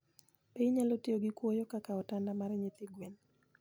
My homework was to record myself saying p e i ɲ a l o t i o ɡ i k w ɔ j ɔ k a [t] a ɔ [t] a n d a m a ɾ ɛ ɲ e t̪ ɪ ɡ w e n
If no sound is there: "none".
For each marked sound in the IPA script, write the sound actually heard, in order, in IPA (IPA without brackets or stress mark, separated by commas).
k, t